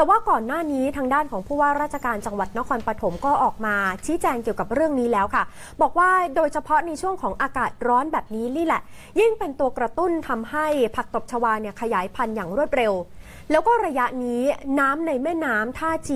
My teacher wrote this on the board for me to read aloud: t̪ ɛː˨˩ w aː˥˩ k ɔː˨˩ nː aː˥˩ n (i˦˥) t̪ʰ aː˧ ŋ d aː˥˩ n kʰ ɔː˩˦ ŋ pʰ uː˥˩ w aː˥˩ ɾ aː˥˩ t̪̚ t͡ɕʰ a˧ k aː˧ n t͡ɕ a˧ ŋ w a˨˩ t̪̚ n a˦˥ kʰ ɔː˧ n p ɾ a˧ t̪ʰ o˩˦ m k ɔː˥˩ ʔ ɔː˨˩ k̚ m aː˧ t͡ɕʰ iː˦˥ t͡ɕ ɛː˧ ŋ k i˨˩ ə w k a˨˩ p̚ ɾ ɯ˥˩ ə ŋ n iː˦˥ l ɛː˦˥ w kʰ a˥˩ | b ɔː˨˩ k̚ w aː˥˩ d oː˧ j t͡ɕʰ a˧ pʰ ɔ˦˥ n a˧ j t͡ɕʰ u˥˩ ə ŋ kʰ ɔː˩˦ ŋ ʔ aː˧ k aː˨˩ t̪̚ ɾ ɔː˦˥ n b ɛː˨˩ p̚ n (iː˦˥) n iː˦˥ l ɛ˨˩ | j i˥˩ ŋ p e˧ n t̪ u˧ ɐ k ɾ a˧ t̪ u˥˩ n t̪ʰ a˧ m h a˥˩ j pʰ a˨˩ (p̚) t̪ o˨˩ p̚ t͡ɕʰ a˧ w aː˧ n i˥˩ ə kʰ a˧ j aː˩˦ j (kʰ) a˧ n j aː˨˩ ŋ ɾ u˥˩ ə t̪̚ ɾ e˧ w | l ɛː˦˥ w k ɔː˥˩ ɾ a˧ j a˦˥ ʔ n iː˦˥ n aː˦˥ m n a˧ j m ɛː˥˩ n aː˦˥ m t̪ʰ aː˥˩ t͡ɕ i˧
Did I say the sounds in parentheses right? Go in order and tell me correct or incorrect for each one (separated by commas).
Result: incorrect, correct, incorrect, incorrect